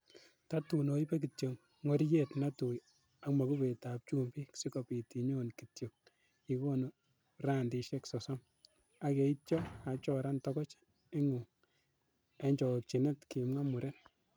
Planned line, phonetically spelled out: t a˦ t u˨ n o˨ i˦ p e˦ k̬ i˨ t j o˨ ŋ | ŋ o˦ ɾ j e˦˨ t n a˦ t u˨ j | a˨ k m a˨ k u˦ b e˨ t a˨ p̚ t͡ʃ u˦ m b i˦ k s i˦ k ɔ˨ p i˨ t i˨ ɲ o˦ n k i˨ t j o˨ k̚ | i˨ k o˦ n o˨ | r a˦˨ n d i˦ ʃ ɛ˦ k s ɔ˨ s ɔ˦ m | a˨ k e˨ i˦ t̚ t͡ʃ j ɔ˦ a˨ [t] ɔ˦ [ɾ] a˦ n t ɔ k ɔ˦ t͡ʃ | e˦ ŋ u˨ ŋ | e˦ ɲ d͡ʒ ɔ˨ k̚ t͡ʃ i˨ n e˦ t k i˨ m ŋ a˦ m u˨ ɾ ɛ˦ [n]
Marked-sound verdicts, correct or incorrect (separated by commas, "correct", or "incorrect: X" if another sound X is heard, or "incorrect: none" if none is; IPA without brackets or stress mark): incorrect: t͡ʃ, correct, correct